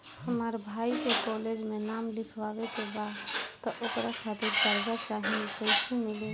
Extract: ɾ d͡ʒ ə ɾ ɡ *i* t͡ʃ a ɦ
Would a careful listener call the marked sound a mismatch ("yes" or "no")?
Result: yes